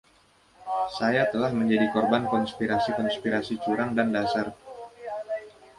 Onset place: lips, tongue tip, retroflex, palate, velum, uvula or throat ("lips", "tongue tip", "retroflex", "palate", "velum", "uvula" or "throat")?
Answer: tongue tip